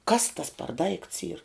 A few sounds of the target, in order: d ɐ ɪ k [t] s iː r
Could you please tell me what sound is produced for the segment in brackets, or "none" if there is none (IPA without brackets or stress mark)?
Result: t